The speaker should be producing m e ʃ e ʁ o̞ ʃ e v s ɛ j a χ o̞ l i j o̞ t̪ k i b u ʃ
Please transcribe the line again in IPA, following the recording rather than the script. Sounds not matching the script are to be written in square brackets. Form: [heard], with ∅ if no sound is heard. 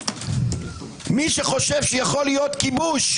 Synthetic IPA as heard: m [i] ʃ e [χ] o̞ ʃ e v [ʃ] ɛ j a χ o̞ l i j o̞ t̪ k i b u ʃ